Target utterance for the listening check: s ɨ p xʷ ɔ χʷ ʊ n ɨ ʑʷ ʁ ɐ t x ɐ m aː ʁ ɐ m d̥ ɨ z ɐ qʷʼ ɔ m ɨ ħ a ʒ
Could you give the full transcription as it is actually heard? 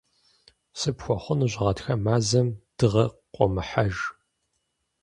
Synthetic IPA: s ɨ p xʷ ɔ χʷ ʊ n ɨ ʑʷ ʁ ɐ t x ɐ m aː z ɐ m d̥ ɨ ʁ ɐ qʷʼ ɔ m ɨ ħ a ʒ

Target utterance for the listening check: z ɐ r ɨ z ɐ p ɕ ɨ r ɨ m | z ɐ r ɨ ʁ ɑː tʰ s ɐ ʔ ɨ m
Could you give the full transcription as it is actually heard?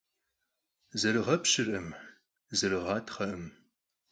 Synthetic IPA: z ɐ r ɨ ʁ ɐ p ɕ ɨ r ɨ m | z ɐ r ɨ ʁ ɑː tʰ χ ɐ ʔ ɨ m

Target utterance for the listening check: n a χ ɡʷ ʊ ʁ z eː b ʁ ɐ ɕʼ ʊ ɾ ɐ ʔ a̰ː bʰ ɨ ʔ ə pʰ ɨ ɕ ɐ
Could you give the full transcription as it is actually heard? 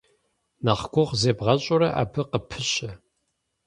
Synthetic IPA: n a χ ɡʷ ʊ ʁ z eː b ʁ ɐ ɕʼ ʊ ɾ ɐ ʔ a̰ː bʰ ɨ q ə pʰ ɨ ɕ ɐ

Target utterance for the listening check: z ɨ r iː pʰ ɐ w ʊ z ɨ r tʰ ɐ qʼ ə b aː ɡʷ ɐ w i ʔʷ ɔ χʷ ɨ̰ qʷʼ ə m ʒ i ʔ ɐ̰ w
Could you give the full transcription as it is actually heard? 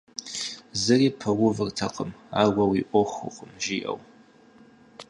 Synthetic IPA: z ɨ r iː pʰ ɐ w ʊ v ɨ r tʰ ɐ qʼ ə m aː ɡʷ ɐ w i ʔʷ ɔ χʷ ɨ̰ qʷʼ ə m ʒ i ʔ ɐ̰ w

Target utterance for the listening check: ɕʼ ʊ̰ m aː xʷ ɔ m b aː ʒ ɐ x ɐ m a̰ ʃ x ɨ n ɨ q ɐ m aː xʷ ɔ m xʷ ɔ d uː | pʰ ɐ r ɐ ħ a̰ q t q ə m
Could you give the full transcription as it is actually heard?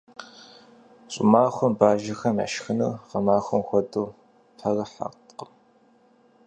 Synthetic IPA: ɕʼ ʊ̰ m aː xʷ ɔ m b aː ʒ ɐ x ɐ m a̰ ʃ x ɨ n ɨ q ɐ m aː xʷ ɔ m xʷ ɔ d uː | pʰ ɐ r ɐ ħ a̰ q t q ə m

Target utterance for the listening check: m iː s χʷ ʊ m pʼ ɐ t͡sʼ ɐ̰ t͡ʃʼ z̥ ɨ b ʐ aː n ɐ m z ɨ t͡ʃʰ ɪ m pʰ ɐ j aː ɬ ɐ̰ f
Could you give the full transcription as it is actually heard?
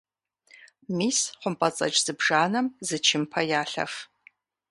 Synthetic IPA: m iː s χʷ ʊ m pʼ ɐ t͡sʼ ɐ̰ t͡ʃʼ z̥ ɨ b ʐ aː n ɐ m z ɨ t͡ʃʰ ɪ m pʰ ɐ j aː ɬ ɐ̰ f

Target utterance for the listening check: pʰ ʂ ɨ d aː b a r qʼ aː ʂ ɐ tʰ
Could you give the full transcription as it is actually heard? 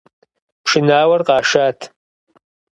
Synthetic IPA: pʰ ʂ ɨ n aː w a r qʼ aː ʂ a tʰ

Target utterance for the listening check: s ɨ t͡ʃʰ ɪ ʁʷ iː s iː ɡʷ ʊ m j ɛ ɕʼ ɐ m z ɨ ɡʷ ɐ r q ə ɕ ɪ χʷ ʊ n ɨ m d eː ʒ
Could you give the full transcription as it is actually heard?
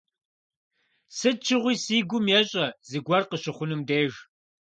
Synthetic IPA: s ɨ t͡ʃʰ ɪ ʁʷ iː s iː ɡʷ ʊ m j ɛ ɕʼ ɐ z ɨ ɡʷ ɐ r q ə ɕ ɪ χʷ ʊ n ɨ m d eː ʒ

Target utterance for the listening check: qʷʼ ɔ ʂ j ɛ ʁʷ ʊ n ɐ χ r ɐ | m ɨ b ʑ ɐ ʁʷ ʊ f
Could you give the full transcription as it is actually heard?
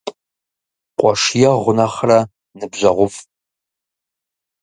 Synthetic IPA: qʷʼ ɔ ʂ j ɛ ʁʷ ʊ n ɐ χ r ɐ | n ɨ b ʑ ɐ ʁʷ ʊ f

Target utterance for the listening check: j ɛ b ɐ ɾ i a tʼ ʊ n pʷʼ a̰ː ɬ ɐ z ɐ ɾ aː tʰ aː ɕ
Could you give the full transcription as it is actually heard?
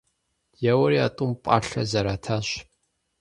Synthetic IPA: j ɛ w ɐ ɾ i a tʼ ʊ m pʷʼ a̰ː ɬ ɐ z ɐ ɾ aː tʰ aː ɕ

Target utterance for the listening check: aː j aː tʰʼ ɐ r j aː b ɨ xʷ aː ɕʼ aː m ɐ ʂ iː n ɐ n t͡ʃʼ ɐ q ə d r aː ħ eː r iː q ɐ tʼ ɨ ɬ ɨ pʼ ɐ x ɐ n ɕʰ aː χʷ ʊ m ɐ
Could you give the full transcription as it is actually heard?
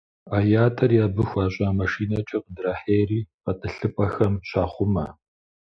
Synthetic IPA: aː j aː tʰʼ ɐ r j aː b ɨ xʷ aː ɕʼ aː m ɐ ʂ iː n ɐ t͡ʃʼ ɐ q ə d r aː ħ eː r iː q ɐ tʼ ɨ ɬ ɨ pʼ ɐ x ɐ m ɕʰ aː χʷ ʊ m ɐ

